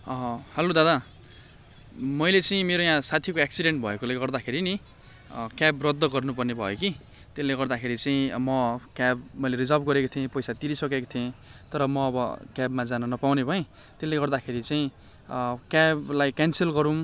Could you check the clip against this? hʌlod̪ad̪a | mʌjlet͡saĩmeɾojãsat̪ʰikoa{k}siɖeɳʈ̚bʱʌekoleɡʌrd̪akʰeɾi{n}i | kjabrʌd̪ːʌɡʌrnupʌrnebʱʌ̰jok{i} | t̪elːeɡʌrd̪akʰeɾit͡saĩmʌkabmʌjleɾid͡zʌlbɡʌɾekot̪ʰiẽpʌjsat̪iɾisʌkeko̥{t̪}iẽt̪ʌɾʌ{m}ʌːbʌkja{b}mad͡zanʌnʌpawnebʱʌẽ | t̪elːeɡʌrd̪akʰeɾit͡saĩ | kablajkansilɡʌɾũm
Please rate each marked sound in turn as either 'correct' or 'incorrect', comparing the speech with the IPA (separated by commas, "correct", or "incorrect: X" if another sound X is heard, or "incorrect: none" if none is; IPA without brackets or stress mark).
correct, correct, correct, incorrect: t̪ʰ, correct, correct